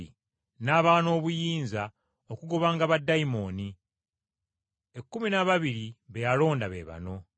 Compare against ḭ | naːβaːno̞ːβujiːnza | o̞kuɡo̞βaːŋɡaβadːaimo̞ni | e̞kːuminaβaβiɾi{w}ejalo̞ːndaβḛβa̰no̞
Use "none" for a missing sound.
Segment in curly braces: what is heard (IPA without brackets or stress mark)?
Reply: β